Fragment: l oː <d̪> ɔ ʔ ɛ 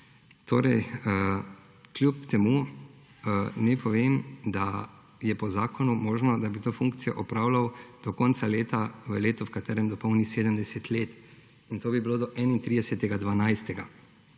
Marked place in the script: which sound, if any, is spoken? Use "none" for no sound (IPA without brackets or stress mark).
d̪